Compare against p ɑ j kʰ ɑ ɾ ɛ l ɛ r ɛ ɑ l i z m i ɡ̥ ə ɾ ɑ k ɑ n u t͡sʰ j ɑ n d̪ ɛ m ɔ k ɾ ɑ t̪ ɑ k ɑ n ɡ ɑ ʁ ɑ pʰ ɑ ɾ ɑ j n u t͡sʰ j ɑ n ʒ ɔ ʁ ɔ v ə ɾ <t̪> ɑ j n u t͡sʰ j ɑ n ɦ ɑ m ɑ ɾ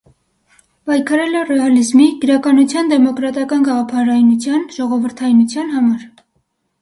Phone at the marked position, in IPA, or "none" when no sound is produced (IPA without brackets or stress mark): t̪ʰ